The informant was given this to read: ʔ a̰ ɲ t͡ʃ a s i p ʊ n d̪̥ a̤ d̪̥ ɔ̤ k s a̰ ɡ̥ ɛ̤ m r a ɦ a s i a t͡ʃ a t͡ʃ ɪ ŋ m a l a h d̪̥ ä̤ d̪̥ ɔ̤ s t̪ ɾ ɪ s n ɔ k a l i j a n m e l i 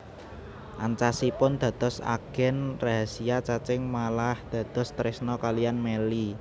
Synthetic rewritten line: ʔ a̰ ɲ t͡ʃ a s i p ʊ n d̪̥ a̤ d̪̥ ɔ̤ s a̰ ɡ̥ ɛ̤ n r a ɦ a s i a t͡ʃ a t͡ʃ ɪ ŋ m a l a h d̪̥ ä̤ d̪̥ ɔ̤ s t̪ ɾ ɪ s n ɔ k a l i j a n m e l i

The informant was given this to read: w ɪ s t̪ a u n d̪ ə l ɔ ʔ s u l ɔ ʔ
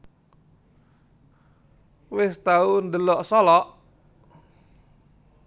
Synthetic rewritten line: w ɪ s t̪ a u n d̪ ə l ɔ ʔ s ɔ l ɔ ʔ

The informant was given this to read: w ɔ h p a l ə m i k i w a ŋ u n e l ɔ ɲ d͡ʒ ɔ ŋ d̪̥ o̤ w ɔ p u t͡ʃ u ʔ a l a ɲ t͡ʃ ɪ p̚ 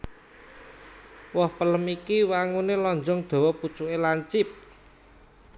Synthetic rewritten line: w ɔ h p ə l ə m i k i w a ŋ u n e l ɔ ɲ d͡ʒ ɔ ŋ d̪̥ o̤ w ɔ p u t͡ʃ u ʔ e l a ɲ t͡ʃ ɪ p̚

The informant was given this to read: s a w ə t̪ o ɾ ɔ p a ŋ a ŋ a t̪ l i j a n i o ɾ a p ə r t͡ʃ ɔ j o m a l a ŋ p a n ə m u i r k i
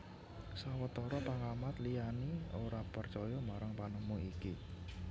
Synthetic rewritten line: s a w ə t̪ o ɾ ɔ p a ŋ a m a t̪ l i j a n i o ɾ a p ə r t͡ʃ ɔ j ɔ m a ɾ a ŋ p a n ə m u i k i

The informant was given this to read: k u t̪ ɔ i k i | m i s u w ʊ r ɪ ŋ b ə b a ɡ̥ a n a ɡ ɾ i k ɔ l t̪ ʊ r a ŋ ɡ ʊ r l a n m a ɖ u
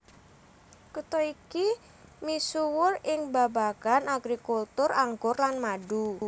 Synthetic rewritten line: k u t̪ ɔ i k i | m i s u w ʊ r ɪ ŋ b a b a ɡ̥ a n a ɡ ɾ i k u l t̪ ʊ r a ŋ ɡ ʊ r l a n m a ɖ u

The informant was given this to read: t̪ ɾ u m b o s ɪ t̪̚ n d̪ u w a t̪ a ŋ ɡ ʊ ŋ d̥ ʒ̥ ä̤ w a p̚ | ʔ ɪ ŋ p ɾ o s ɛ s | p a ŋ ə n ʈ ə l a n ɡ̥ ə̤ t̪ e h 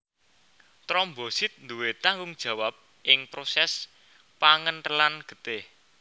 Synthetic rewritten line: t̪ ɾ ɔ m b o s ɪ t̪̚ n d̪ u w e t̪ a ŋ ɡ ʊ ŋ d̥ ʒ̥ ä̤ w a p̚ | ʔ ɪ ŋ p ɾ o s ɛ s | p a ŋ ə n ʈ ə l a n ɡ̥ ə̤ t̪ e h

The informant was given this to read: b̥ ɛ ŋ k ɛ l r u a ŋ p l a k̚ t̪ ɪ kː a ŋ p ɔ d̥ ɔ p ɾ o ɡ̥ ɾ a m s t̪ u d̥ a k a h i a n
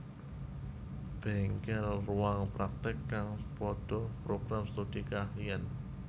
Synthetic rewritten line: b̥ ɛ ŋ k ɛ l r u a ŋ p ɾ a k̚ t̪ ɪ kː a ŋ p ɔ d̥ ɔ p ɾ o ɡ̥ ɾ a m s t̪ u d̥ i k a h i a n

